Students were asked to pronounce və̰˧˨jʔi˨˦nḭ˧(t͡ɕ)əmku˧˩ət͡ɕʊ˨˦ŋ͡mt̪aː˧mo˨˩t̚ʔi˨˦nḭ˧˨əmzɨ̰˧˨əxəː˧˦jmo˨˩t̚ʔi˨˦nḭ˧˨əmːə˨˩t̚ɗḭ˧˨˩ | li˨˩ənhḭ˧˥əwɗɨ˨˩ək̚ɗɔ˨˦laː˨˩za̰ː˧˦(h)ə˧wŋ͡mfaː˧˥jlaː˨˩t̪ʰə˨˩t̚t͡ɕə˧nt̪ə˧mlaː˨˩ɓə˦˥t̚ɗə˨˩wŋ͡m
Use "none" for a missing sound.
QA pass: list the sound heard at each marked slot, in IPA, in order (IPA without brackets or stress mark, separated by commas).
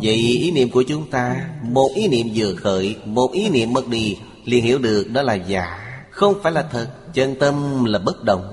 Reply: none, x